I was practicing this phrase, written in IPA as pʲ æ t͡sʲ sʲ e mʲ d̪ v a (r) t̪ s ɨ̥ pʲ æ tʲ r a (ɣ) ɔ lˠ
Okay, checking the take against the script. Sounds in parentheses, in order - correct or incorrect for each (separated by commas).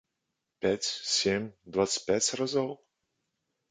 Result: incorrect, incorrect